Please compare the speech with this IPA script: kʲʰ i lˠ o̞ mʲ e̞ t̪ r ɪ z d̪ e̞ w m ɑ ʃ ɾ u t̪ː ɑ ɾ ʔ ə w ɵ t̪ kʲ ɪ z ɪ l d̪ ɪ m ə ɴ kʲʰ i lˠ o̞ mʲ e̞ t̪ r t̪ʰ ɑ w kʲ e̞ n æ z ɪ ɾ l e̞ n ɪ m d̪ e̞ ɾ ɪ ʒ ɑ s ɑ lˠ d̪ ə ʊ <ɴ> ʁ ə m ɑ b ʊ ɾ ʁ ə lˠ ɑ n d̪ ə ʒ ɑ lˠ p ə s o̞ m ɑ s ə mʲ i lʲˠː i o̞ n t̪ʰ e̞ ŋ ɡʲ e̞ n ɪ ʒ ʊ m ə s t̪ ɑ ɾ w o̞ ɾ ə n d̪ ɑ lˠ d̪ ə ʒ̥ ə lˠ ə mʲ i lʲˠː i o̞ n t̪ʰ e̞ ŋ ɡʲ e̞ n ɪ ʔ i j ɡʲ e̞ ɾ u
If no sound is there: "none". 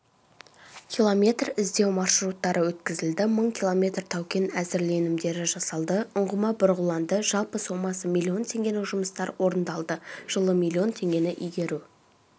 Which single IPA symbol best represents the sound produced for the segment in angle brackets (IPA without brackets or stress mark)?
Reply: ɴ